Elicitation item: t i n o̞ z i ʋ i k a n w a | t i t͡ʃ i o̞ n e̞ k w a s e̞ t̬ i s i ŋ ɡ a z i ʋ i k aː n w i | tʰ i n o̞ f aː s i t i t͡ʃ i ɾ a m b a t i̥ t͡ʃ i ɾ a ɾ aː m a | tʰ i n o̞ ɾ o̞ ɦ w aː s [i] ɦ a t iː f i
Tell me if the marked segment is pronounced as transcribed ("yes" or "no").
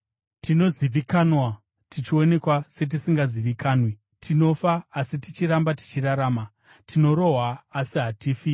yes